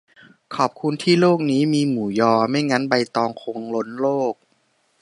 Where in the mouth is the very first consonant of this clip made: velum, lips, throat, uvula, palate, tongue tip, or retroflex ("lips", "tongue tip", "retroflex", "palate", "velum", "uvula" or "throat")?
velum